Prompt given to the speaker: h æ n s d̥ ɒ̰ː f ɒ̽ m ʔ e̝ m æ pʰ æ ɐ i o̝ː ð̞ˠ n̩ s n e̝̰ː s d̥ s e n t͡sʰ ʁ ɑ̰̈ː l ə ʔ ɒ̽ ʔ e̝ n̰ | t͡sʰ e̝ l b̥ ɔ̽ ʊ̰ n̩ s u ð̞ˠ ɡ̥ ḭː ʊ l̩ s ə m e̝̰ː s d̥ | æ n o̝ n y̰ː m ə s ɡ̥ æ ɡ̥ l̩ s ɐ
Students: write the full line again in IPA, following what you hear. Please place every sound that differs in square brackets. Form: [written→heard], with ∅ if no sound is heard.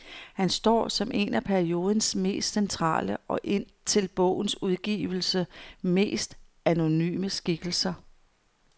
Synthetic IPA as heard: h æ n s d̥ ɒ̰ː [f→s] ɒ̽ m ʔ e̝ [m→n] æ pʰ æ ɐ i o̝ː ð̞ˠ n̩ s [n→m] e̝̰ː s d̥ s e n t͡sʰ ʁ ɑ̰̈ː l ə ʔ ɒ̽ ʔ e̝ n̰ | t͡sʰ e̝ l b̥ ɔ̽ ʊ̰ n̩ s u ð̞ˠ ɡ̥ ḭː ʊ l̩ s ə m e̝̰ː s d̥ | æ n o̝ n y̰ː m ə s ɡ̥ [æ→i] ɡ̥ l̩ s ɐ